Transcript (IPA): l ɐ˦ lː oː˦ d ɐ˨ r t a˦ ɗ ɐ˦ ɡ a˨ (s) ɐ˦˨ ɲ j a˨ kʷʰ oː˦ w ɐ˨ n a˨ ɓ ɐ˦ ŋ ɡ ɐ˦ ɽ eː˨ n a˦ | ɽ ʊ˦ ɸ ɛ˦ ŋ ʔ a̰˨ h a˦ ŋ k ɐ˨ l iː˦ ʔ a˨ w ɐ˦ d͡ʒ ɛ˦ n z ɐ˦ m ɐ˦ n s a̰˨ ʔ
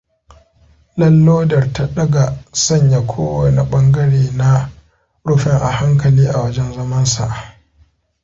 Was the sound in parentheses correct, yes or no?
yes